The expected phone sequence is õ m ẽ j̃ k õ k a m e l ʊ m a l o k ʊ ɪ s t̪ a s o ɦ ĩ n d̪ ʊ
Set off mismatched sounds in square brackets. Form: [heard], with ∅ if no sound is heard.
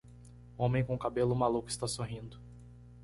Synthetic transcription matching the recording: õ m ẽ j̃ k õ k a [b] e l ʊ m a l [u] k ʊ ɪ s t̪ a s o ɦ ĩ n d̪ ʊ